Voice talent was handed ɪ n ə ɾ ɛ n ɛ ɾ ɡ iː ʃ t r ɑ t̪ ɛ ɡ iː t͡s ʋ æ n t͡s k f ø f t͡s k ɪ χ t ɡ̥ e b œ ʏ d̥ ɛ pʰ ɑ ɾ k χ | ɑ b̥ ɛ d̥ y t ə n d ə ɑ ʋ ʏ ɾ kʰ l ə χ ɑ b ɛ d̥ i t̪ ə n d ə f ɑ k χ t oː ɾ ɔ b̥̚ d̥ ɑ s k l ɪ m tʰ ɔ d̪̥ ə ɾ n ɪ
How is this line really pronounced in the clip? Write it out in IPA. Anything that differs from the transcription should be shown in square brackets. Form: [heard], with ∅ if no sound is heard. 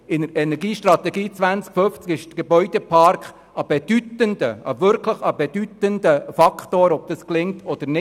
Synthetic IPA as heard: ɪ n ə ɾ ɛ n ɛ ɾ ɡ iː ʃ t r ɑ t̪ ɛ ɡ iː t͡s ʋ æ n t͡s k f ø f t͡s k ɪ [ʃ] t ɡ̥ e b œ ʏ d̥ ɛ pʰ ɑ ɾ k χ | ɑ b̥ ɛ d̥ y t ə n d ə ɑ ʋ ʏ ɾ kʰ l ə χ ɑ b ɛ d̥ [y] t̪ ə n d ə f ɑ k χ t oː ɾ ɔ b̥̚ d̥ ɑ s k l ɪ [ŋ] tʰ ɔ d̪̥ ə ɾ n ɪ

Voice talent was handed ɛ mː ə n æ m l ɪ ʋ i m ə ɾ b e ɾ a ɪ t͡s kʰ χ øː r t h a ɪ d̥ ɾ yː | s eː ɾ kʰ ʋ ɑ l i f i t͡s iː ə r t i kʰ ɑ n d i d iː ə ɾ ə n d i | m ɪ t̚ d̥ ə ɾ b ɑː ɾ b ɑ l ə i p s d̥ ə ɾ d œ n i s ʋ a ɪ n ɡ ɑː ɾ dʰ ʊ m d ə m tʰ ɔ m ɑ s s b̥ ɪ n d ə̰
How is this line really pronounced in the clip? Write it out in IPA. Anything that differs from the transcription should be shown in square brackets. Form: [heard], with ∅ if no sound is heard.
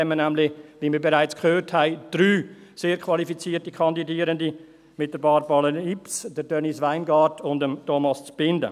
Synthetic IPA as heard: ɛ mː ə n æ m l ɪ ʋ i m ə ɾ b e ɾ a ɪ t͡s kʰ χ øː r t h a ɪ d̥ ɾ yː | s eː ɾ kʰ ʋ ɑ l i f i t͡s iː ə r t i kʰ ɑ n d i d iː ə ɾ ə n d i | m ɪ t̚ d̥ ə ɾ b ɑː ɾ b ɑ l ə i p s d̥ ə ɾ d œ n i s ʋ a ɪ n ɡ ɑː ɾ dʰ ʊ [n] d ə m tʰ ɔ m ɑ s [t͡s] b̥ ɪ n d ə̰

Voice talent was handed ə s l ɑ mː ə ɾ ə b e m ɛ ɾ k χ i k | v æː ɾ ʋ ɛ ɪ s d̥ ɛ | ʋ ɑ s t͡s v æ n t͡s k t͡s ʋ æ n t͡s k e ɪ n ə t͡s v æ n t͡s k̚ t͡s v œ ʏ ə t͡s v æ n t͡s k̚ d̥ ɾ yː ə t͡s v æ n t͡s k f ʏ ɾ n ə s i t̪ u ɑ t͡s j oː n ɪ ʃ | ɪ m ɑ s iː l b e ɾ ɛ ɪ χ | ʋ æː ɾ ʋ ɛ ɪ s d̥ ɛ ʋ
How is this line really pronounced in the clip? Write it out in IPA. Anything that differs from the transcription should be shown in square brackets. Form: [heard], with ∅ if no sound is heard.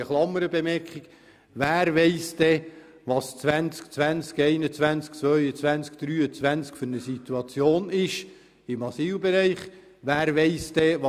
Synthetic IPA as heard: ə [χ] l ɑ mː ə ɾ ə b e m ɛ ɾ k χ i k | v æː ɾ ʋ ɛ ɪ s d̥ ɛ | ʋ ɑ s t͡s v æ n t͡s k t͡s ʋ æ n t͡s k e ɪ n ə t͡s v æ n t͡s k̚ t͡s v œ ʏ ə t͡s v æ n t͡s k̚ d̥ ɾ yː ə t͡s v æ n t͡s k f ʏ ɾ n ə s i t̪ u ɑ t͡s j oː n ɪ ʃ | ɪ m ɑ s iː l b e ɾ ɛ ɪ χ | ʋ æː ɾ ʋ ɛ ɪ s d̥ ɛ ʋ

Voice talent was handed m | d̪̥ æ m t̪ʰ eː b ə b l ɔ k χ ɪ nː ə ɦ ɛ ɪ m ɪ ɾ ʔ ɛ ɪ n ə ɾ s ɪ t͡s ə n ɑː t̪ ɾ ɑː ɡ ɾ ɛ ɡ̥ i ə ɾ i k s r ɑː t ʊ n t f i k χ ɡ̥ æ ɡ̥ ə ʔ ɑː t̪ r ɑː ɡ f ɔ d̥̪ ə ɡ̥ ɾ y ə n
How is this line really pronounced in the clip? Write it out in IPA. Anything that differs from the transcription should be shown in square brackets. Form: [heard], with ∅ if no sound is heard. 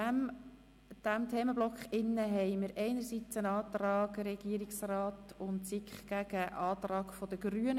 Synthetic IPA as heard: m | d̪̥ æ m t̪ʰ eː [m] ə b l ɔ k χ ɪ nː ə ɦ ɛ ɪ m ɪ ɾ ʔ ɛ ɪ n ə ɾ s [i] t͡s ə n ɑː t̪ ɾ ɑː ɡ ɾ ɛ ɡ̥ i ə ɾ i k s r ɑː t ʊ n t [s] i k χ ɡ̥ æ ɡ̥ ə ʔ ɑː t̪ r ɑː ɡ f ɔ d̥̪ ə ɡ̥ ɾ y ə n

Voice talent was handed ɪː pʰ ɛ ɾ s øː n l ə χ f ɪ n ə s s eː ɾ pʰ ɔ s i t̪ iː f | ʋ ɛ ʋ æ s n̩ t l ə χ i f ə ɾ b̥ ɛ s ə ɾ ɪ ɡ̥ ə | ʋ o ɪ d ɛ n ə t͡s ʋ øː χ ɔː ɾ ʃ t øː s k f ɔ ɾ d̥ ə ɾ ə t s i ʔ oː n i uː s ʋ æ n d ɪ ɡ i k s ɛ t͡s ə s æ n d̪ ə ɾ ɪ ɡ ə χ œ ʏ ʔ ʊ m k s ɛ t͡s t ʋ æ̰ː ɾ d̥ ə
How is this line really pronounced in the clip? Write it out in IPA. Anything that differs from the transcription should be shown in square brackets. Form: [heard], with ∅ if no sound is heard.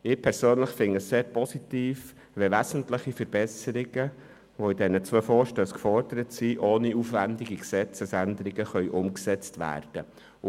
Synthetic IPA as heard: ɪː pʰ ɛ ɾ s øː n l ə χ f ɪ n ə s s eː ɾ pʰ ɔ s i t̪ iː f | ʋ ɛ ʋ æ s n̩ t l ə χ i f ə ɾ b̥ ɛ s ə ɾ ɪ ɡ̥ ə | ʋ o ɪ d ɛ n ə t͡s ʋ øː [f] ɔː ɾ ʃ t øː s k f ɔ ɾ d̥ ə ɾ ə t s i ʔ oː n i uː [f] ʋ æ n d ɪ ɡ i k s ɛ t͡s ə s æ n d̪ ə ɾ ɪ ɡ ə χ œ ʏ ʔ ʊ m k s ɛ t͡s t ʋ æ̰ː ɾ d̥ ə

